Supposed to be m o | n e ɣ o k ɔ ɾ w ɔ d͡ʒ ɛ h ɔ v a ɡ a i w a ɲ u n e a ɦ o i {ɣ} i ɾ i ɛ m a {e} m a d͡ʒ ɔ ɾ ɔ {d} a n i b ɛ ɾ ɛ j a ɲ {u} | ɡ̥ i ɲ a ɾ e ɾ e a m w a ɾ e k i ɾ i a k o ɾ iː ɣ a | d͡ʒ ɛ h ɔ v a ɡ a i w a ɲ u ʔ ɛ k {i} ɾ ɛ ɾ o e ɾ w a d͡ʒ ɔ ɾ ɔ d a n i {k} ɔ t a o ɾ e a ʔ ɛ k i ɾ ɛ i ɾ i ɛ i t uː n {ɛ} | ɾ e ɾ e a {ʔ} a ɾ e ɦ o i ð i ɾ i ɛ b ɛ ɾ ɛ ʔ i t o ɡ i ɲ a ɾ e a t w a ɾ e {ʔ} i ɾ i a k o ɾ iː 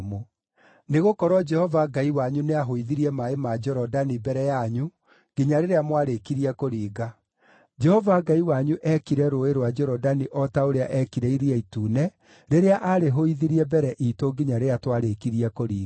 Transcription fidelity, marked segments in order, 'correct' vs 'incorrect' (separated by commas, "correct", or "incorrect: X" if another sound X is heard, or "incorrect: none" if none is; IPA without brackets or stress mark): incorrect: ð, correct, correct, correct, correct, incorrect: ʔ, correct, correct, incorrect: k